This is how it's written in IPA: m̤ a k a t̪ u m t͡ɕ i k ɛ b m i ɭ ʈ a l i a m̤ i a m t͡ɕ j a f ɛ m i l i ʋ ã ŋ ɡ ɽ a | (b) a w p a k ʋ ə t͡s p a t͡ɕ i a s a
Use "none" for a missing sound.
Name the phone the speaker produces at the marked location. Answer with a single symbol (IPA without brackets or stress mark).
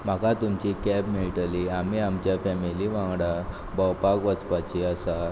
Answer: b